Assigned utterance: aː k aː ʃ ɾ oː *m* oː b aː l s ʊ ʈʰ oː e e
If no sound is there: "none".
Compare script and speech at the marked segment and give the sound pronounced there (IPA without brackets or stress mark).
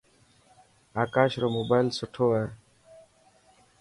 m